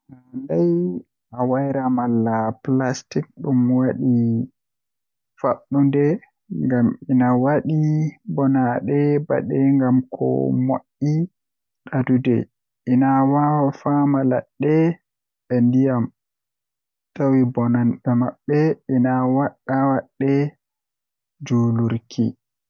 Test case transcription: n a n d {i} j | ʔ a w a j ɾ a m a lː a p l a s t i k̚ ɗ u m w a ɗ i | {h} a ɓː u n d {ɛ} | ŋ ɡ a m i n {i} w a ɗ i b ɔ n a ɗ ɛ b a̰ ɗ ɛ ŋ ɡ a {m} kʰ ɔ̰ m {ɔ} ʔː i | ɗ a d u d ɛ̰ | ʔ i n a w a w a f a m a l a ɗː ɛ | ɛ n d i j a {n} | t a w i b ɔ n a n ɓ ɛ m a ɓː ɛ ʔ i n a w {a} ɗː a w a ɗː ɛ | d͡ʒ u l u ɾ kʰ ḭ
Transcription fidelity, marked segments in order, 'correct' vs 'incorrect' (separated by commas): incorrect, incorrect, correct, incorrect, correct, incorrect, incorrect, correct